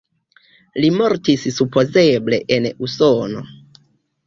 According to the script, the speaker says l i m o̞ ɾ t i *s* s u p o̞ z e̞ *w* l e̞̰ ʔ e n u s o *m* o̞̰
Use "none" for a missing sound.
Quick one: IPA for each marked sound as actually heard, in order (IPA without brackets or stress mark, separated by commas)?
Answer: s, b, n